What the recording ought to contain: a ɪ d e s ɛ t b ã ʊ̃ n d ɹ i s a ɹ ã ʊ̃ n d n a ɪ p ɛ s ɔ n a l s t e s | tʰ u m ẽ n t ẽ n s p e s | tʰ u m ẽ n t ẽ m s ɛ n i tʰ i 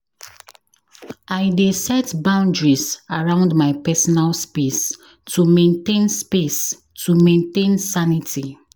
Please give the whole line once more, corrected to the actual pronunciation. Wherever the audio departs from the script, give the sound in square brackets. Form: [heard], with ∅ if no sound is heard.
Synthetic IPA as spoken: a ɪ d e s ɛ t b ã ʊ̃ n d ɹ i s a ɹ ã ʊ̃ n d [m] a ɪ p ɛ s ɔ n a l s [p] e s | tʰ u m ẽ n t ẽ n s p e s | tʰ u m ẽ n t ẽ [n] s [a] n i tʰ i